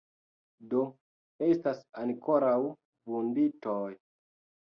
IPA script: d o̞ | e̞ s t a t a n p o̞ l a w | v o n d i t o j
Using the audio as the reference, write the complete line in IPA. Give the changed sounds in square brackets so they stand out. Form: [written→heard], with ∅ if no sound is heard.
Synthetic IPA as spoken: d o̞ | e̞ s t a [t→s] a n [p→k] o̞ [l→ɾ] a w | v [o→u] n d i t o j